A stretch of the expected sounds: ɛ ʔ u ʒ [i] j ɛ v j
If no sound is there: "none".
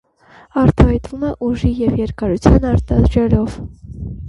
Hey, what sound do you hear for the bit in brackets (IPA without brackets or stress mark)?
i